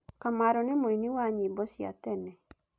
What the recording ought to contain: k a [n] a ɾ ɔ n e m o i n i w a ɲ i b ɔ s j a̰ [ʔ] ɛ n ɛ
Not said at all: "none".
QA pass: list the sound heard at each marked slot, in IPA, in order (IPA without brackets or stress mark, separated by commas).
m, t